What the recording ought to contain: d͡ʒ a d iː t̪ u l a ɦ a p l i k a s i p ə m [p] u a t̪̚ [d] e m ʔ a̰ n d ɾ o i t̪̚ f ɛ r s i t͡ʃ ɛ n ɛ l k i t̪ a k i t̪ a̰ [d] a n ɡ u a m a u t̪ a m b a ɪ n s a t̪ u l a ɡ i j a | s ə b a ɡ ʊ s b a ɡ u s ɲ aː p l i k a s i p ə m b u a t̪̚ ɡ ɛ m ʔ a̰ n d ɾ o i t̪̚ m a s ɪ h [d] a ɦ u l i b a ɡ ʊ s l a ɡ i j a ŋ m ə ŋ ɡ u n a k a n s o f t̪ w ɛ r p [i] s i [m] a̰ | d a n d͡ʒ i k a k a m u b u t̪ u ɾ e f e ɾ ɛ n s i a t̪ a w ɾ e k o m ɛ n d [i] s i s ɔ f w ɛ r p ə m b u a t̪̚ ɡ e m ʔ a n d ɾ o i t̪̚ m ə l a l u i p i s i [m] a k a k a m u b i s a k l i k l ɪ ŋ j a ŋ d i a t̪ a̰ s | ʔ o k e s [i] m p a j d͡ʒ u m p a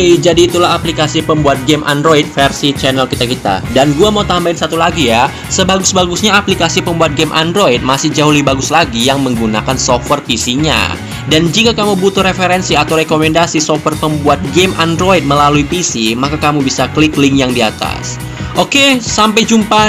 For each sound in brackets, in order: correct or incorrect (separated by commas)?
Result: incorrect, incorrect, correct, incorrect, correct, incorrect, incorrect, correct, incorrect